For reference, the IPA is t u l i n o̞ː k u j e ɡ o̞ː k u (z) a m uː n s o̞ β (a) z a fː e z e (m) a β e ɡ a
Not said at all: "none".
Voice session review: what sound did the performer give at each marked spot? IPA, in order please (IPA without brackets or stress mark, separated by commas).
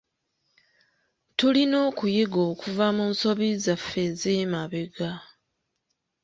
v, i, m